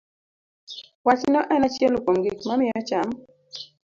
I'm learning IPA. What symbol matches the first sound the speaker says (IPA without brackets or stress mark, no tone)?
w